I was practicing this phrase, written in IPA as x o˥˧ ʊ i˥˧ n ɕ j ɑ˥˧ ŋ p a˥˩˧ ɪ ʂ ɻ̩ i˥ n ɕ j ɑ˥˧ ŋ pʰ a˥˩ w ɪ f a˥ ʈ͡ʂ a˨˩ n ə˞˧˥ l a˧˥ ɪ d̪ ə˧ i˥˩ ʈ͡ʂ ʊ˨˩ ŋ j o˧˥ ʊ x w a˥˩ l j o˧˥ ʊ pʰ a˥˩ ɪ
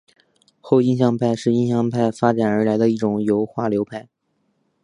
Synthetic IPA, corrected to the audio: x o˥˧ ʊ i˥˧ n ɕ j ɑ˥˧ ŋ pʰ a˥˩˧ ɪ ʂ ɻ̩ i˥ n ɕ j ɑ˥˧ ŋ pʰ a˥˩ ɪ f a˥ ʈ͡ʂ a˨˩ n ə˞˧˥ l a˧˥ ɪ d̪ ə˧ i˥˩ ʈ͡ʂ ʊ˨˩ ŋ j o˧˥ ʊ x w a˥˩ l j o˧˥ ʊ pʰ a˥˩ ɪ